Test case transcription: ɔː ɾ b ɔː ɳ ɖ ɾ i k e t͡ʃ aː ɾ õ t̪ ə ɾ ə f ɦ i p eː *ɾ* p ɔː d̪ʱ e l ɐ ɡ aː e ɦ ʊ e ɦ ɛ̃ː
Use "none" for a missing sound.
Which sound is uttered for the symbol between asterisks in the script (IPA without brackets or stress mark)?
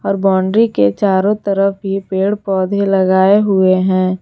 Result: ɽ